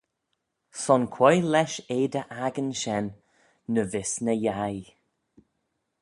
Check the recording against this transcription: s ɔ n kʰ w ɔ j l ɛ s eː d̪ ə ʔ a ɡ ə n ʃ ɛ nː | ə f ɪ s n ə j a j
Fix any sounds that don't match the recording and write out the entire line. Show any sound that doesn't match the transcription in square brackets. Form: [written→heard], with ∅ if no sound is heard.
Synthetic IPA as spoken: s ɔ n kʰ w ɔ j l ɛ [s→ʃ] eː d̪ ə ʔ a ɡ ə n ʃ ɛ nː | ə [f→v] ɪ s n ə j a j